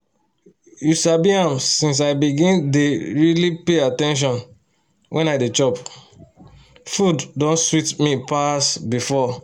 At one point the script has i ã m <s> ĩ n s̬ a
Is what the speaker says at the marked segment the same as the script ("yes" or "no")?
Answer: yes